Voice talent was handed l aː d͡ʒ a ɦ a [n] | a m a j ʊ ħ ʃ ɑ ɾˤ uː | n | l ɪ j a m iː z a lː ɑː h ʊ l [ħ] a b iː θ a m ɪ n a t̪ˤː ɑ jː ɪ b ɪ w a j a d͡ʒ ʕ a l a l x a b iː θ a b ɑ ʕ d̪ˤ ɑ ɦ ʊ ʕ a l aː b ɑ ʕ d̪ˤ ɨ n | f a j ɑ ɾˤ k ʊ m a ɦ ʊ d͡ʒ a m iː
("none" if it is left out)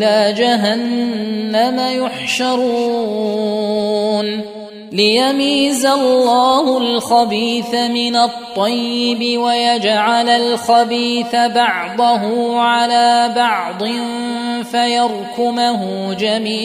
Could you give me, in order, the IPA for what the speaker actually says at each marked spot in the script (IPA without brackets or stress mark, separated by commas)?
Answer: nː, x